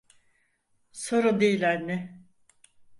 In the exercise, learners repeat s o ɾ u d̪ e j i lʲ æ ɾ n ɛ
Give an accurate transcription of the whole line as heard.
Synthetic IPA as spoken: s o ɾ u d̪ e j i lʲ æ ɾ n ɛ